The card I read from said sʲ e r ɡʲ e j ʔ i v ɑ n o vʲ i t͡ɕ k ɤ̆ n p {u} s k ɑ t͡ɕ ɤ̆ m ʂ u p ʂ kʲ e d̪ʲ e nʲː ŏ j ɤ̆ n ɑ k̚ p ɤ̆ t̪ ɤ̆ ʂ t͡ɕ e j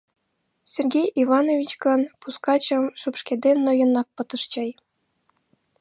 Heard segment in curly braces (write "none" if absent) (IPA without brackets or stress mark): u